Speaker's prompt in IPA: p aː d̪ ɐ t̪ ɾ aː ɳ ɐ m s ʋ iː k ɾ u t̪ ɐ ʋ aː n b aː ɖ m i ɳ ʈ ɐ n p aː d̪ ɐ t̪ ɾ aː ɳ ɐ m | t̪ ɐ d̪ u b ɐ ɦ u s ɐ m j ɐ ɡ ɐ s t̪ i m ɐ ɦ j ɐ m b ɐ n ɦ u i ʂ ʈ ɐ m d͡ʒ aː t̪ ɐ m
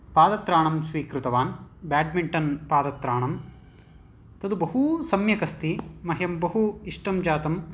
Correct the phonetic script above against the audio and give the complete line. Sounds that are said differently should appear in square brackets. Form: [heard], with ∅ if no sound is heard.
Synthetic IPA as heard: p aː d̪ ɐ t̪ ɾ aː ɳ ɐ m s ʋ iː k ɾ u t̪ ɐ ʋ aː n b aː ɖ m i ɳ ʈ ɐ n p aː d̪ ɐ t̪ ɾ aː ɳ ɐ m | t̪ ɐ d̪ u b ɐ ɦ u s ɐ m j ɐ [k] ɐ s t̪ i m ɐ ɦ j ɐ m b ɐ [∅] ɦ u i ʂ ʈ ɐ m d͡ʒ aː t̪ ɐ m